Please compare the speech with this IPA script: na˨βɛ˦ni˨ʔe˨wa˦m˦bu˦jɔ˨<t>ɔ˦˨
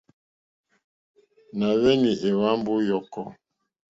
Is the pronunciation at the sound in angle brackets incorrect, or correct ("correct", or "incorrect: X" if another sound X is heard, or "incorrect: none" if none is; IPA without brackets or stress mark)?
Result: incorrect: k